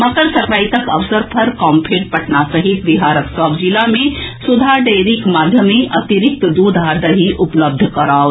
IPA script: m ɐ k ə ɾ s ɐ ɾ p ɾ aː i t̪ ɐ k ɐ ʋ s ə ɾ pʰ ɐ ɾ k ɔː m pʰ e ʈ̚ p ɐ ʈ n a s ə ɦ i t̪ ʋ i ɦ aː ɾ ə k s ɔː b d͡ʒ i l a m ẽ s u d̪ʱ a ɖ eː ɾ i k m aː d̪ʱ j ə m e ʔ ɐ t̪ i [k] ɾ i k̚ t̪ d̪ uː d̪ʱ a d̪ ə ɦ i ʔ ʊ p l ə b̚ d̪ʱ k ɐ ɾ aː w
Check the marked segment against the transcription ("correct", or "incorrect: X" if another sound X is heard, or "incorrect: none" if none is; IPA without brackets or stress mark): incorrect: none